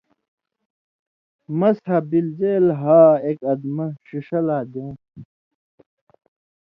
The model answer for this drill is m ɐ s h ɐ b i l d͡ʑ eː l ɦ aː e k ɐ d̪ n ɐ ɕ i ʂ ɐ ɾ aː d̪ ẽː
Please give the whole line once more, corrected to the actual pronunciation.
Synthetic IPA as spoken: m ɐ s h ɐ b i l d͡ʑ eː l ɦ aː e k ɐ d̪ m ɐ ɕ i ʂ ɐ l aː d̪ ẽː